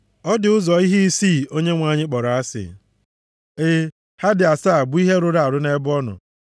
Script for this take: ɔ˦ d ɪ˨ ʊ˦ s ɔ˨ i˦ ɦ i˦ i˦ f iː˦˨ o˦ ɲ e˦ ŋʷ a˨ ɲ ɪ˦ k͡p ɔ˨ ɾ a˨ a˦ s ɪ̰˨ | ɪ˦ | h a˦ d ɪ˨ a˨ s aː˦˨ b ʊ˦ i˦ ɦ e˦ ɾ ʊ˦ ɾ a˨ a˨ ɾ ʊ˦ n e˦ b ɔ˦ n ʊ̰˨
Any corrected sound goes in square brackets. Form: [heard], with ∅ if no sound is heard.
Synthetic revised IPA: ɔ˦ d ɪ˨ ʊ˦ [z] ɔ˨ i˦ ɦ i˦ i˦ [s] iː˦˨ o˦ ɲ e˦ ŋʷ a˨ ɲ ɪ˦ k͡p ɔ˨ ɾ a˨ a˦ s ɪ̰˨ | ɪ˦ | h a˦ d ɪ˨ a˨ s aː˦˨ b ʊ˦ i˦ ɦ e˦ ɾ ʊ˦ ɾ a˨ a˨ ɾ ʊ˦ n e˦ b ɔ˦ n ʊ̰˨